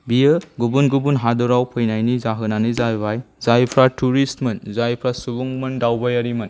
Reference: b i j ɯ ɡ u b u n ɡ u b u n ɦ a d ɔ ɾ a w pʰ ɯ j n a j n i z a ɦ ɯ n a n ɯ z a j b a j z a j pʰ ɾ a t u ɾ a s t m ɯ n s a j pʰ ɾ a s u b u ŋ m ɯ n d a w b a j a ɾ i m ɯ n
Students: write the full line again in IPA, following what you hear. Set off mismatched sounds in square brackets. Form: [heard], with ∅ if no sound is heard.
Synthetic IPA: b i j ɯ ɡ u b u n ɡ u b u n ɦ a d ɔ ɾ a w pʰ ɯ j n a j n i z a ɦ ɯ n a n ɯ z a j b a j z a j pʰ ɾ a t u ɾ [i] s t m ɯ n [z] a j pʰ ɾ a s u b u ŋ m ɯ n d a w b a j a ɾ i m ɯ n

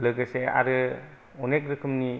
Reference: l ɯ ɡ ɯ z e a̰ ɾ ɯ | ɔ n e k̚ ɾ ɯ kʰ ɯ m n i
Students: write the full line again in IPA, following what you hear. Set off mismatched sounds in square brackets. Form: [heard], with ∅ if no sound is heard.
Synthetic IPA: l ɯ ɡ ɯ [s] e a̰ ɾ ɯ | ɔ n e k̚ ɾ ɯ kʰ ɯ m n i

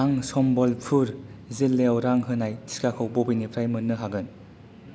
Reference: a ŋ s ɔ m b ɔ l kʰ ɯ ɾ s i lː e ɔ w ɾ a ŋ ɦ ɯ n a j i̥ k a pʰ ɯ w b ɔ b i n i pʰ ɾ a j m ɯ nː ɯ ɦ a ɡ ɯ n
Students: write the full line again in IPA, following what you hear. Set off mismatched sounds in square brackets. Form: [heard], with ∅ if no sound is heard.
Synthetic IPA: a ŋ s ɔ m b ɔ l [pʰ] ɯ ɾ [z] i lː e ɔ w ɾ a ŋ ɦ ɯ n a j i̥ k a [kʰ] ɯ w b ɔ b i n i pʰ ɾ a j m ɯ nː ɯ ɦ a ɡ ɯ n

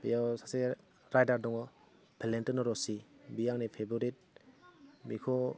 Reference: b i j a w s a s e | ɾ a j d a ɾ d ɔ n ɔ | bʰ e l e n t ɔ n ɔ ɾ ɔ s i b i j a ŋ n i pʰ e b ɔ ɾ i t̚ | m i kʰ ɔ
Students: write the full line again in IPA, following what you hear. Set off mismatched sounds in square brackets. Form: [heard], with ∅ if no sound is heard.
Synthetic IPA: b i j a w s a s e | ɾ a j d a ɾ d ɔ [ŋ] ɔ | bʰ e l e n t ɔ n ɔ ɾ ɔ s i b i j a ŋ n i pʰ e b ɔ ɾ i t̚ | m i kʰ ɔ

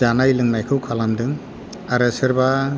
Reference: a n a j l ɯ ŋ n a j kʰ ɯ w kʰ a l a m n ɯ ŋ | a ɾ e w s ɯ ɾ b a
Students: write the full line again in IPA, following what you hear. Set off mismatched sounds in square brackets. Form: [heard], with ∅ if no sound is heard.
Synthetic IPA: a n a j l ɯ ŋ n a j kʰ ɯ w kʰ a l a m [d] ɯ ŋ | a ɾ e [∅] s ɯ ɾ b a

